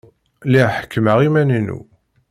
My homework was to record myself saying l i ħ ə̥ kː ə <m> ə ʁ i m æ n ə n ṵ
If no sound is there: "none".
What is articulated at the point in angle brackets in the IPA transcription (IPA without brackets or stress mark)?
m